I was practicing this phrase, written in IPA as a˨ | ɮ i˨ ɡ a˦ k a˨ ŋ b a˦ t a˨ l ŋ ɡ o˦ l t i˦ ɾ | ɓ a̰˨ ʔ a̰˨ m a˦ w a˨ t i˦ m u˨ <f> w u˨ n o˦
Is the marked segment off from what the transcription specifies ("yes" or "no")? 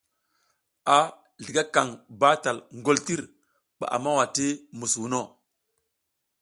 yes